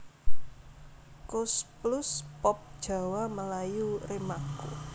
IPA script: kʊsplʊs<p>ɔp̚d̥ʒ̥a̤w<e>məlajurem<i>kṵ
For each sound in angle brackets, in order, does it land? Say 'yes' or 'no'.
yes, no, no

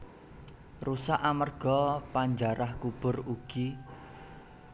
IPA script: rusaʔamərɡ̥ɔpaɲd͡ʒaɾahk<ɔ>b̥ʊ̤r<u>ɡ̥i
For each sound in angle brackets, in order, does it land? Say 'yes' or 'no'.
no, yes

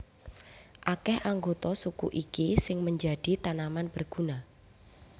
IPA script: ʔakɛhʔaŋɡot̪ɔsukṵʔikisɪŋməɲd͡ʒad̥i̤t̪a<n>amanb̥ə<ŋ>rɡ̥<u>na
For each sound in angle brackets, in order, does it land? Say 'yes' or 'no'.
yes, no, yes

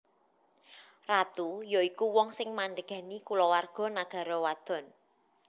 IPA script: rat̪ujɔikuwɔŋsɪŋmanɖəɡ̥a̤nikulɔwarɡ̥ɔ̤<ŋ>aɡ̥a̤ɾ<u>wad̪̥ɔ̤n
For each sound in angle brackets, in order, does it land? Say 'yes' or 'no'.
no, no

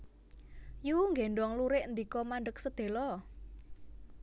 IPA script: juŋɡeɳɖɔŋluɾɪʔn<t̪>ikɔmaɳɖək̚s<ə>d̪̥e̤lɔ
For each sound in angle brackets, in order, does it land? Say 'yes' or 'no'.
no, yes

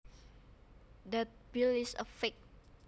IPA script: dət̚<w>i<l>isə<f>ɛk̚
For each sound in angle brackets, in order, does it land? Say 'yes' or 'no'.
no, yes, yes

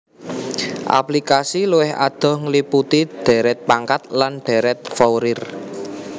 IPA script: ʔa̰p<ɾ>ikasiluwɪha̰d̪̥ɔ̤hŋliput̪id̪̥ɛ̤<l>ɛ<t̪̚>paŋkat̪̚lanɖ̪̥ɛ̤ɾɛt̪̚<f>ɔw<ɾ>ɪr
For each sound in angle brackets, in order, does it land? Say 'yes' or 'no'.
no, no, yes, yes, yes

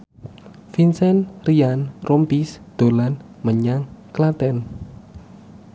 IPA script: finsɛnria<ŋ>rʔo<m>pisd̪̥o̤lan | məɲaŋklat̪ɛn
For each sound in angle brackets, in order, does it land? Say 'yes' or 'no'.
no, yes

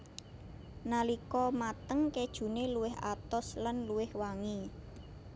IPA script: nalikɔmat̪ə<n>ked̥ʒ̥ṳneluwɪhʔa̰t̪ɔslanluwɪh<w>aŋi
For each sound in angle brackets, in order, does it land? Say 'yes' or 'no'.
no, yes

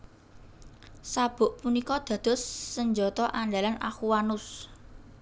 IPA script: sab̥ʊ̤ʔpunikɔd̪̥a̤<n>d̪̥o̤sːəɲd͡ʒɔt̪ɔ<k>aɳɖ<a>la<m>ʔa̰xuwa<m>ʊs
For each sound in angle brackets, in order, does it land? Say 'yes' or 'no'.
no, no, yes, no, no

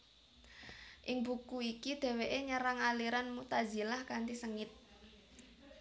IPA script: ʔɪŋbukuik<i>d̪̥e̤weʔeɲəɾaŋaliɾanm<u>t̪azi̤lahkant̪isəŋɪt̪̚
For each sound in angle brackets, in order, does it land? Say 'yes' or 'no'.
yes, yes

